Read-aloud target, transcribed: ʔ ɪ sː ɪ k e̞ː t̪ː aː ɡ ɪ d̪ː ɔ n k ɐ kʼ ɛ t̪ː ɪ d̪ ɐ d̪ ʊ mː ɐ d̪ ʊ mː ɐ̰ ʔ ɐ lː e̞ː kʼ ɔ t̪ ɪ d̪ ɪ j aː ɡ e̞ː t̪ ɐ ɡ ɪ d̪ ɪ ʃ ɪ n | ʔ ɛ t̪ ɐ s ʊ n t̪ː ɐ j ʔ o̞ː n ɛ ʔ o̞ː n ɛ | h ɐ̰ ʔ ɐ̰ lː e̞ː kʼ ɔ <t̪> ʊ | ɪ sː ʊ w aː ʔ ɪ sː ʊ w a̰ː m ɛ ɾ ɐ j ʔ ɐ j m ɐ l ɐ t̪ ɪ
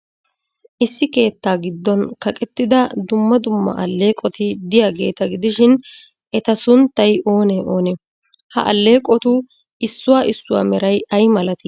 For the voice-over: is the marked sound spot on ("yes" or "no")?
yes